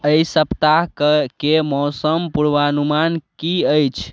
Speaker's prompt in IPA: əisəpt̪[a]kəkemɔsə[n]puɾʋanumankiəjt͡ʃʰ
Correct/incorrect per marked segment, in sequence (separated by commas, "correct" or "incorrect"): correct, incorrect